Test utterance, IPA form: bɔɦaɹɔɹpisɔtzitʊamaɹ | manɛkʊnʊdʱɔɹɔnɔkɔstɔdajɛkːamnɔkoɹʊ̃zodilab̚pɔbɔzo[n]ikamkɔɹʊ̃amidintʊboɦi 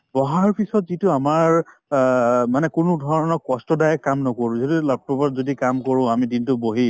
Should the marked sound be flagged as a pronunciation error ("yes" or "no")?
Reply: yes